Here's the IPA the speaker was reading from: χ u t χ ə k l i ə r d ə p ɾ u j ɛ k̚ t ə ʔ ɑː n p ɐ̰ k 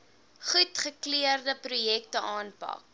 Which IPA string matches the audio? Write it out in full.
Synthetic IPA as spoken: χ u t χ ə k l i ə r d ə p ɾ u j ɛ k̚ t ə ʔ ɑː n p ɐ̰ k